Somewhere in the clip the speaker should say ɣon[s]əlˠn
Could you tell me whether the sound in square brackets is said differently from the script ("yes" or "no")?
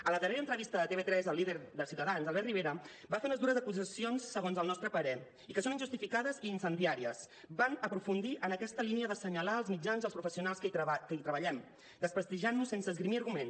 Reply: yes